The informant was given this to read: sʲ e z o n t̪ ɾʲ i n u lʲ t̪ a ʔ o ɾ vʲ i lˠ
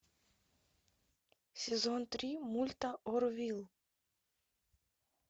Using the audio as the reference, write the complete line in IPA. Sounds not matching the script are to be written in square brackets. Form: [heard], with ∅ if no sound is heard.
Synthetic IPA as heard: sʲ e z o n t̪ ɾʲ i [m] u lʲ t̪ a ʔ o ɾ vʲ i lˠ